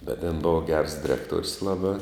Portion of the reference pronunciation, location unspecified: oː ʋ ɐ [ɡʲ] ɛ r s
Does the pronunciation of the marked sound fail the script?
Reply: no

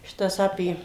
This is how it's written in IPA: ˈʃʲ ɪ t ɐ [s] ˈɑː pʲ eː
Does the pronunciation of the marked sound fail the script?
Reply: no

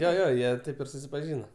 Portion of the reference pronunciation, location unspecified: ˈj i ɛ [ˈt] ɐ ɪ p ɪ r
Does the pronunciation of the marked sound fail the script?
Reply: no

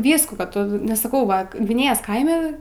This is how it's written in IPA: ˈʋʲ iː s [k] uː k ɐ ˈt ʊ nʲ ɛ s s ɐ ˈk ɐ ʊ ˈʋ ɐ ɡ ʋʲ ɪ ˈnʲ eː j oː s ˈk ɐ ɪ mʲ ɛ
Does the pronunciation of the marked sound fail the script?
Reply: no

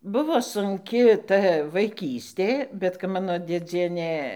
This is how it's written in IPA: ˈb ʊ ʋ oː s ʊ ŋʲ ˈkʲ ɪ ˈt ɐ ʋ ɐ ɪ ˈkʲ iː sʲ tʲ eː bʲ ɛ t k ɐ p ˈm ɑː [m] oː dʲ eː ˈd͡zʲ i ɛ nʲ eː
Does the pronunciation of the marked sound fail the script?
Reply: yes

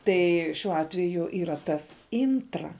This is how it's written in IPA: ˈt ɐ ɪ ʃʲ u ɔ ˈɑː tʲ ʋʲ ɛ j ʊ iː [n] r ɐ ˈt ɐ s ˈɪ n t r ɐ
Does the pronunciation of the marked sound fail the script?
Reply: yes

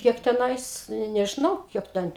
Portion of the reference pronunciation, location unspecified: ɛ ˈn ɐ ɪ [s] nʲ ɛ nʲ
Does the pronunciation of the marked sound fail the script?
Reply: no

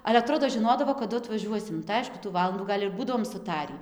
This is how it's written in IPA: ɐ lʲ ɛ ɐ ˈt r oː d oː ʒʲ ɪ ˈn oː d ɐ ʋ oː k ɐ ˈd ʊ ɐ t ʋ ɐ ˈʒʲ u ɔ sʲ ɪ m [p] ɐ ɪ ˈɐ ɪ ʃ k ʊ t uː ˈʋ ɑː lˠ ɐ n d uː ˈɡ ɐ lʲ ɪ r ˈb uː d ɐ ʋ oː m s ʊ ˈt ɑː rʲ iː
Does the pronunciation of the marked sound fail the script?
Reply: yes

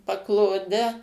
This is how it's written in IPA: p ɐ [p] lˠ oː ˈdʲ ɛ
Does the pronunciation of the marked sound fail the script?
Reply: yes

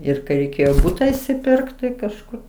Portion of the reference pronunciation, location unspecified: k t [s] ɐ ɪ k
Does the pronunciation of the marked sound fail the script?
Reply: yes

